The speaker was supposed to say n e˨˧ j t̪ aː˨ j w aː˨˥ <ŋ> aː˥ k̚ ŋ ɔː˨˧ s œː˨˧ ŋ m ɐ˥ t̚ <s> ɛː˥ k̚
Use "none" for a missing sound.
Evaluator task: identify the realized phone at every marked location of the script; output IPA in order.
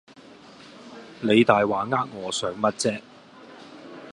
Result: ŋ, t͡s

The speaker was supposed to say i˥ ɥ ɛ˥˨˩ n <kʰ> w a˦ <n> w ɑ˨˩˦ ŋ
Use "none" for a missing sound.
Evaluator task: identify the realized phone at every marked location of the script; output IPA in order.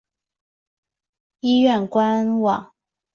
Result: k, n

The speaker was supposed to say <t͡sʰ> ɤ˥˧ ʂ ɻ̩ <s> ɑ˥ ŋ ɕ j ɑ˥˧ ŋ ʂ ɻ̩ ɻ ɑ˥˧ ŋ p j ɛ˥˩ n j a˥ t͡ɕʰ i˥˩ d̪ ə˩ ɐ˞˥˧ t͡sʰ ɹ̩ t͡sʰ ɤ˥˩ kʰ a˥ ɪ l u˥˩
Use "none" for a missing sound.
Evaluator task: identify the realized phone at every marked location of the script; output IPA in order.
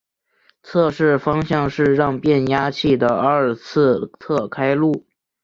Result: t͡sʰ, f

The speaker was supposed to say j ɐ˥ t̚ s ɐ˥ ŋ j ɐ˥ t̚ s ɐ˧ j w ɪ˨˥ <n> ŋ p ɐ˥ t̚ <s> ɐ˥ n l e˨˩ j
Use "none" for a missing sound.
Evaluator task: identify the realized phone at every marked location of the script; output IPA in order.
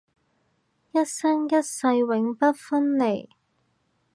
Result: none, f

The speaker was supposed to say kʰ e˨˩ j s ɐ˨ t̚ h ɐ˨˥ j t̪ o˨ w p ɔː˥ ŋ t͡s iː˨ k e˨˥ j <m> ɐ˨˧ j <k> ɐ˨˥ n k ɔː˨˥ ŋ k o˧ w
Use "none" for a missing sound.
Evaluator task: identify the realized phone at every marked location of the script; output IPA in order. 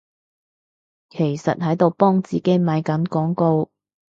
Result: m, k

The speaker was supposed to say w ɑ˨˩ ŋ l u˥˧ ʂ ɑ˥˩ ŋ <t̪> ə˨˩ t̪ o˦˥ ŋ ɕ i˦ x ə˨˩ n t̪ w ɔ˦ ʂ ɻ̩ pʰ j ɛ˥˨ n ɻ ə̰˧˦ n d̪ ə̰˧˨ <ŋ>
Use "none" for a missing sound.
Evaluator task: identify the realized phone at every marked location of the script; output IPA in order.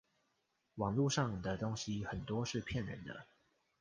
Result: d̪, none

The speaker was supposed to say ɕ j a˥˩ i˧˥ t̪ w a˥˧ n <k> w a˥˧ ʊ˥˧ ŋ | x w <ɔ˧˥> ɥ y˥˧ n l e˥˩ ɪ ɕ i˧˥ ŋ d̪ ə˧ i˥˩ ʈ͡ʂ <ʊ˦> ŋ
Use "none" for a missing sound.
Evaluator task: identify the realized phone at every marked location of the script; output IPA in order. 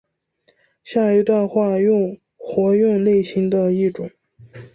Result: x, ɔ˧˥, ʊ˨˩˦

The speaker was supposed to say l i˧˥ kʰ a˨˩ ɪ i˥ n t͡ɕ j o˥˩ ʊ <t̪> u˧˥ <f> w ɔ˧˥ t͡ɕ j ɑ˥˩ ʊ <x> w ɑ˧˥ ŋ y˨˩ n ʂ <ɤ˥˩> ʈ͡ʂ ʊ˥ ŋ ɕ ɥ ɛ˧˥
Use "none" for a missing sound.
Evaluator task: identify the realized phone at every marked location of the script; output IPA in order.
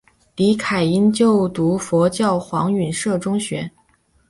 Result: t̪, f, x, ɤ˥˩

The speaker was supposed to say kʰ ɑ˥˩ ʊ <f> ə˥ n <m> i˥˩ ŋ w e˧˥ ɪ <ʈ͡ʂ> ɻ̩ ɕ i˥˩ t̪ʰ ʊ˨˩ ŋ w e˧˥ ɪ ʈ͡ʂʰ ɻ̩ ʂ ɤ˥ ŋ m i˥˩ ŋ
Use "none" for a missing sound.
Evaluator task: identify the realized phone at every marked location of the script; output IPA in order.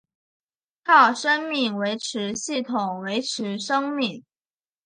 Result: ʂ, m, ʈ͡ʂʰ

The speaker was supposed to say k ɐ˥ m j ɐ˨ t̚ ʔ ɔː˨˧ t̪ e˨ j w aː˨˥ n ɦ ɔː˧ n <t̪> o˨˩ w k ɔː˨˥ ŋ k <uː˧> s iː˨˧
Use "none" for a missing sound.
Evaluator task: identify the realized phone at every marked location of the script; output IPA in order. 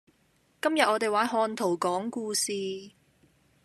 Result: t̪ʰ, uː˧

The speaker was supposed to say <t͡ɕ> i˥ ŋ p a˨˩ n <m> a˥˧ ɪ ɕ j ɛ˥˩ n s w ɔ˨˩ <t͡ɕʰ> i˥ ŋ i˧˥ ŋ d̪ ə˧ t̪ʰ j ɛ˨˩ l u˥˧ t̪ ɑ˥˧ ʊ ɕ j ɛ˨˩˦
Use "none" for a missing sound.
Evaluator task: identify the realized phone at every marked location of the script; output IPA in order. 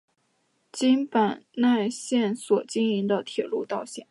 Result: t͡ɕ, n, t͡ɕ

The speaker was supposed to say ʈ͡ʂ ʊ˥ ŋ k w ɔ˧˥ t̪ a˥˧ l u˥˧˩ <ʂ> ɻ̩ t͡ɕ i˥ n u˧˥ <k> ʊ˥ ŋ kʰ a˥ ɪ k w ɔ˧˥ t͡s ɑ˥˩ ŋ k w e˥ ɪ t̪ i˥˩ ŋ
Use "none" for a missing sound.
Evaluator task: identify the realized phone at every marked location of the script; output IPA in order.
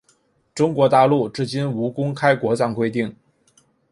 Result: ʈ͡ʂ, k

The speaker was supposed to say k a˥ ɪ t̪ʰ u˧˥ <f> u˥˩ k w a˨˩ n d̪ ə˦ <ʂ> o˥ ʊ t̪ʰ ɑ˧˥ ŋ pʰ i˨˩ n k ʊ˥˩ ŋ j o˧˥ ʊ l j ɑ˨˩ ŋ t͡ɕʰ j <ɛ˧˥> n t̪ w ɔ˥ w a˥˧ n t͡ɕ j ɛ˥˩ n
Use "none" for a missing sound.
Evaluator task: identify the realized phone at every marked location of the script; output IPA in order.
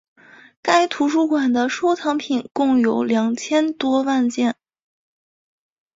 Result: ʂ, ʂ, ɛ˥

